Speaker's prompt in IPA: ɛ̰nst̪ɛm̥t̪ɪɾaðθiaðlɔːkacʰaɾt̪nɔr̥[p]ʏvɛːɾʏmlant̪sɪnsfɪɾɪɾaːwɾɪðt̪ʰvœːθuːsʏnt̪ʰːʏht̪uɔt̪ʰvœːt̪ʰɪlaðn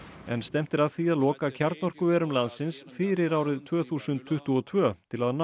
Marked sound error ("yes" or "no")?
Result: yes